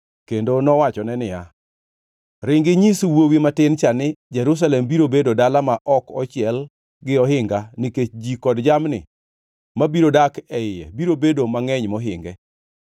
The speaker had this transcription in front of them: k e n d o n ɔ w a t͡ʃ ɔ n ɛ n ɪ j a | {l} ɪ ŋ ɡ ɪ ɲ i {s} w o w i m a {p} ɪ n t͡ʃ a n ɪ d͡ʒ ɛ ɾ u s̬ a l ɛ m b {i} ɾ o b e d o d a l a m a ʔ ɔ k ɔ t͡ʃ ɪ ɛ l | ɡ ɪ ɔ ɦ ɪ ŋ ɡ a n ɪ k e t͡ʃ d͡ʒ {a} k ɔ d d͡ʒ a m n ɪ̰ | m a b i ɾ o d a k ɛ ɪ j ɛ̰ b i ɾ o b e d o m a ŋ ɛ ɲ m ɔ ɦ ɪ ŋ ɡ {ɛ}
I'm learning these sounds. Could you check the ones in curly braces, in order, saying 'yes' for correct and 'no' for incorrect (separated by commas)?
no, yes, no, yes, no, yes